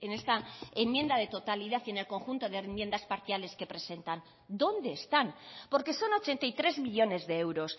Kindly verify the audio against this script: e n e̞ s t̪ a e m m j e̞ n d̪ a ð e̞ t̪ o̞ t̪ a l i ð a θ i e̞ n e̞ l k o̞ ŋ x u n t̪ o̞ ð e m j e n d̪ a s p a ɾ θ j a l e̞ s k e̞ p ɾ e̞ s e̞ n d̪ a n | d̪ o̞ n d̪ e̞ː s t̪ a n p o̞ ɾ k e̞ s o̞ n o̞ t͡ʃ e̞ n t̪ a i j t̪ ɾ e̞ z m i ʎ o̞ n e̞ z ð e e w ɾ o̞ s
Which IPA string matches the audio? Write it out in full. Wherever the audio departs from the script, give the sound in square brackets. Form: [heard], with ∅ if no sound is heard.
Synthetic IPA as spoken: e n e̞ s t̪ a e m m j e̞ n d̪ a ð e̞ t̪ o̞ t̪ a l i ð a θ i e̞ n e̞ l k o̞ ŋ x u n t̪ o̞ ð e m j e n d̪ a s p a ɾ θ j a l e̞ s k e̞ p ɾ e̞ s e̞ n [t̪] a n | d̪ o̞ n d̪ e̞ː s t̪ a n p o̞ ɾ k e̞ s o̞ n o̞ t͡ʃ e̞ n t̪ a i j t̪ ɾ e̞ z m i ʎ o̞ n e̞ z ð e e w ɾ o̞ s